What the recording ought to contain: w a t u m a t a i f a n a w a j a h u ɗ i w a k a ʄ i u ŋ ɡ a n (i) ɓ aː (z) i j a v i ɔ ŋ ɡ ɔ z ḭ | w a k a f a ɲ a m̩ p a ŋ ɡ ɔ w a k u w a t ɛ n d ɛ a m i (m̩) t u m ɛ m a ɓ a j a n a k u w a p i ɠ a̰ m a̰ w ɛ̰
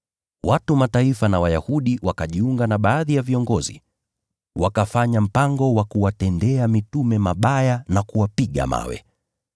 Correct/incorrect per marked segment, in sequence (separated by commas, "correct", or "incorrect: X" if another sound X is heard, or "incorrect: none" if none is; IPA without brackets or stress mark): incorrect: a, incorrect: ð, incorrect: none